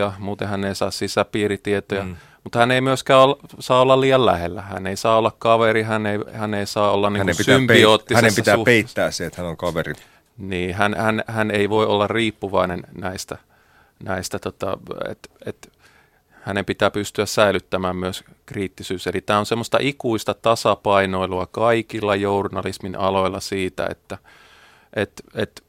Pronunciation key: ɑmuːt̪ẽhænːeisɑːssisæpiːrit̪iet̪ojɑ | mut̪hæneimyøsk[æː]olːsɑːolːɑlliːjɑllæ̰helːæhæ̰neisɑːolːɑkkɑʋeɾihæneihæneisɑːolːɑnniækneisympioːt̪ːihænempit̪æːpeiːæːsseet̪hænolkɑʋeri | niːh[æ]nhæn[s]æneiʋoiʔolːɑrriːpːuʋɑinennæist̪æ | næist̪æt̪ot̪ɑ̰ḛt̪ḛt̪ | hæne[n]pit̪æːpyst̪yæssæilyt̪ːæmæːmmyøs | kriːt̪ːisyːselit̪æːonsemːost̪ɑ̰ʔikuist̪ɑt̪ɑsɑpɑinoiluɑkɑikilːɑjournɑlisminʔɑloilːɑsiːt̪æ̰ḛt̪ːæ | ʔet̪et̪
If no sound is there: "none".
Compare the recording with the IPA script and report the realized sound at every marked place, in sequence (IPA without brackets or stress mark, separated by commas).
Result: æː, æ, h, m